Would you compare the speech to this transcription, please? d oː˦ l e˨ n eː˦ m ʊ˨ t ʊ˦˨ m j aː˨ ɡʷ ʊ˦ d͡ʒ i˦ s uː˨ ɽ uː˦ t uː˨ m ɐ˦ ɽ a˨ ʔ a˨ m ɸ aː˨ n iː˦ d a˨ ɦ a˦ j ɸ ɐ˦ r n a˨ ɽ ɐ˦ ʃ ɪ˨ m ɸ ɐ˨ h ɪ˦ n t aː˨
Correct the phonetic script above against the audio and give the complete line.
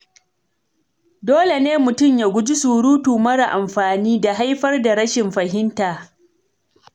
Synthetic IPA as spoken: d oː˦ l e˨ n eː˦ m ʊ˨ t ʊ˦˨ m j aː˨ ɡʷ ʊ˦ d͡ʒ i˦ s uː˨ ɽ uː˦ t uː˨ m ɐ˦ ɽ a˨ ʔ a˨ m ɸ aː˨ n iː˦ d a˨ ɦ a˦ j ɸ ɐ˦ r d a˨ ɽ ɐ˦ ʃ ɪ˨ m ɸ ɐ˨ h ɪ˦ n t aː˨